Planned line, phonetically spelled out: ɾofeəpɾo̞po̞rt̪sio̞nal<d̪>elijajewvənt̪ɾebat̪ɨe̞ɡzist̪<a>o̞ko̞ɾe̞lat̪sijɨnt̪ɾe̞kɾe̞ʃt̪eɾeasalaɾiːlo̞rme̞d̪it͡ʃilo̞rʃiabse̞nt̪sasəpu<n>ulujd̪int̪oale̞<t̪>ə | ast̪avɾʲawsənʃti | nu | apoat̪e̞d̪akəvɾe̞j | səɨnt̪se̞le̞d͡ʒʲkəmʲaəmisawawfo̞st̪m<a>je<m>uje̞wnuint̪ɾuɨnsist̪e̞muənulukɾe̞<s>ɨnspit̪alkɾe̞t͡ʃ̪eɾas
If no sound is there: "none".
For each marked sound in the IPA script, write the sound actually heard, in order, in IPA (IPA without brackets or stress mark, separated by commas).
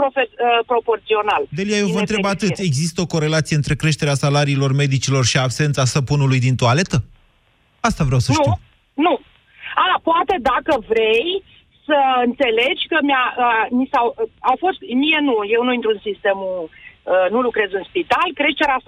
d̪, ə, n, t̪, i, n, z